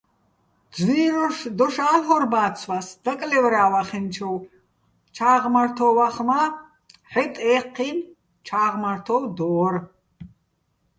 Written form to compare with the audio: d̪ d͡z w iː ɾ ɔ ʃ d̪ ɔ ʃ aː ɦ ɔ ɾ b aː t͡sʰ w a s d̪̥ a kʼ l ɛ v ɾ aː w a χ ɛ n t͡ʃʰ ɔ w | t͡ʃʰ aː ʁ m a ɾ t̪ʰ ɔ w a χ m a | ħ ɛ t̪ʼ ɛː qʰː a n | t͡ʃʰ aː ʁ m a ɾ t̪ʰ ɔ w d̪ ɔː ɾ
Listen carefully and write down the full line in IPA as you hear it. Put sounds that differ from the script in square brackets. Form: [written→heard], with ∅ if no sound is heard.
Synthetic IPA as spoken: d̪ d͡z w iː ɾ ɔ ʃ d̪ ɔ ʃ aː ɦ ɔ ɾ b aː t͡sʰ w a s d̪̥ a kʼ l ɛ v ɾ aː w a χ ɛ n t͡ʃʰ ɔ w | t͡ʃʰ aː ʁ m a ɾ t̪ʰ ɔ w a χ m a | ħ ɛ t̪ʼ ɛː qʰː [a→i] n | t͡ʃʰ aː ʁ m a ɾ t̪ʰ ɔ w d̪ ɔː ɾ